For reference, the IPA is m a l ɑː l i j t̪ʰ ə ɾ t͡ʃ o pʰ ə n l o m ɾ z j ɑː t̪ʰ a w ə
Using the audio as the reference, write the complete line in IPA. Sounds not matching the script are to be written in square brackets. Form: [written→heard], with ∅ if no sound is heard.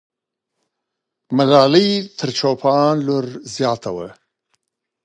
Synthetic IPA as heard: m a l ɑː l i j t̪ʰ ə ɾ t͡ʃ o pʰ [ə→ɑ] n l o [m→∅] ɾ z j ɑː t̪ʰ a w ə